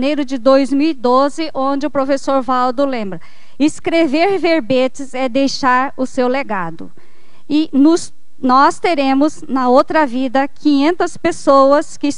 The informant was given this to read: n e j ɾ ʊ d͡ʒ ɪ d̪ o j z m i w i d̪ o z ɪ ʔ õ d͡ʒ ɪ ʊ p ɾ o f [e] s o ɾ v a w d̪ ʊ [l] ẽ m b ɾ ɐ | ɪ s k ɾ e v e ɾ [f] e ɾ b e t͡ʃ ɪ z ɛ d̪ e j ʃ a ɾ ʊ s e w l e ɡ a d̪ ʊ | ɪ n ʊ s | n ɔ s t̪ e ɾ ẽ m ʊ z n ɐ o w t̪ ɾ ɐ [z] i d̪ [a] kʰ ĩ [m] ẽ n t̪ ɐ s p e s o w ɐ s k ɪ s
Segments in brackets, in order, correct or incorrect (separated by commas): correct, correct, incorrect, incorrect, incorrect, incorrect